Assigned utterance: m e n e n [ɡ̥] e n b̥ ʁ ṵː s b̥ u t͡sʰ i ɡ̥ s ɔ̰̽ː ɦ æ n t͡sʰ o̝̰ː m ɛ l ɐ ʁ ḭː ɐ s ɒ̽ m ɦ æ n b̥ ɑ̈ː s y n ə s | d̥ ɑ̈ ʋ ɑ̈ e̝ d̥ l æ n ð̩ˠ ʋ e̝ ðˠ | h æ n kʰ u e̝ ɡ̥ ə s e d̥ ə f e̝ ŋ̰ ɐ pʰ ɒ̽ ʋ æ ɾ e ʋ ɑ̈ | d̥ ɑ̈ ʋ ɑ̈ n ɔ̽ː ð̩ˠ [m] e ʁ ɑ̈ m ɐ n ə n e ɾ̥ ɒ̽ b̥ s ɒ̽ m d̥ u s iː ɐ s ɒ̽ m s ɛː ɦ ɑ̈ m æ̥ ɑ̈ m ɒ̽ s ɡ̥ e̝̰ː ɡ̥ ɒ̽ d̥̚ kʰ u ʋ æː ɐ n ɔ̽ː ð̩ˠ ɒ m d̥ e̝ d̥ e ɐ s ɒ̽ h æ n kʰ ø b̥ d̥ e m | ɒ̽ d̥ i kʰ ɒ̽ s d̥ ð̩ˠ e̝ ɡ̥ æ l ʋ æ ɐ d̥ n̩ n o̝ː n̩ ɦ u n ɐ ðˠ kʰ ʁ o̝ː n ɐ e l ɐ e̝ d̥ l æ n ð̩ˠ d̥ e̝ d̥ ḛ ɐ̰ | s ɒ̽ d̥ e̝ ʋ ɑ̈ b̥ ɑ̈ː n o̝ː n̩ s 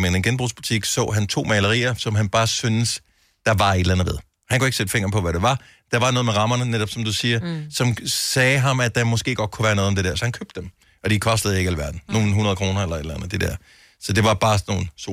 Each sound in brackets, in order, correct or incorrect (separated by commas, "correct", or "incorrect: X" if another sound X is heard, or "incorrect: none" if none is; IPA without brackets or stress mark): correct, correct